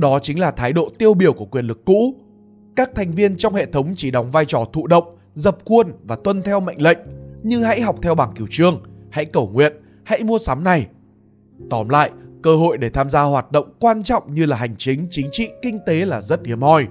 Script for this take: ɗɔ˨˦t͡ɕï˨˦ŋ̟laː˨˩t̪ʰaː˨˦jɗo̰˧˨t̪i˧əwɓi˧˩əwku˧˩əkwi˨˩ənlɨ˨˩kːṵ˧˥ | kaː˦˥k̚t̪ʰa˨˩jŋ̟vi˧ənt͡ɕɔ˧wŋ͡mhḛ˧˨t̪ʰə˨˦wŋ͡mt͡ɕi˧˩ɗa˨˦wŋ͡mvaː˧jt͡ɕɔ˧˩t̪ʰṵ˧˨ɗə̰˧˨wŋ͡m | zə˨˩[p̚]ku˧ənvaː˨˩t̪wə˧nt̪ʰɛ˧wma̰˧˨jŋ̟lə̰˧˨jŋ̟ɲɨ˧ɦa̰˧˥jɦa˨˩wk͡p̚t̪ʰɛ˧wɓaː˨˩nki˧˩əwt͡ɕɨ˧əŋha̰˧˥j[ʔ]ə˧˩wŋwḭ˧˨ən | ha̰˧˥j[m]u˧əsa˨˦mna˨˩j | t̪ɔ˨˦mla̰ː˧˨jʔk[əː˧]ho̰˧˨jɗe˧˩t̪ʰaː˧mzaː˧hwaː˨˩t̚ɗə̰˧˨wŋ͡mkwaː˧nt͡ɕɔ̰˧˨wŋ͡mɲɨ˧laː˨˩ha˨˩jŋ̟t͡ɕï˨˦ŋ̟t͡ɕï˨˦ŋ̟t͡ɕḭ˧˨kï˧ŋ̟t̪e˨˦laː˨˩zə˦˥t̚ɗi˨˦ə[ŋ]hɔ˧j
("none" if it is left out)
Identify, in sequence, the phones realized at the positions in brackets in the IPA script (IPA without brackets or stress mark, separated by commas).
p̚, k, m, əː˧, m